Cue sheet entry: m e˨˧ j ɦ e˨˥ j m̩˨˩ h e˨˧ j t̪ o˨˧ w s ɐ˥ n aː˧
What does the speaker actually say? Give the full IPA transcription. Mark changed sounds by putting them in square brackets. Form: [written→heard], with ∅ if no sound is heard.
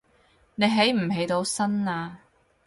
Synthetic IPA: [m→n] e˨˧ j ɦ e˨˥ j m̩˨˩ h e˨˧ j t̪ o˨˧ w s ɐ˥ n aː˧